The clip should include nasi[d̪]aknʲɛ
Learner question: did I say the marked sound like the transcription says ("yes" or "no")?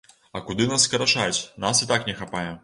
no